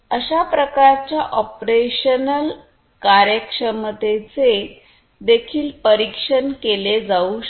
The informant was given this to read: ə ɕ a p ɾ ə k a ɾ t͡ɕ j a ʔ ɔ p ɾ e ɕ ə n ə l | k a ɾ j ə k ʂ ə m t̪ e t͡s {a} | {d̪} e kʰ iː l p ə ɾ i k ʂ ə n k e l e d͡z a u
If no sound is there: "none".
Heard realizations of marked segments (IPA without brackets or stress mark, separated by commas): e, d̪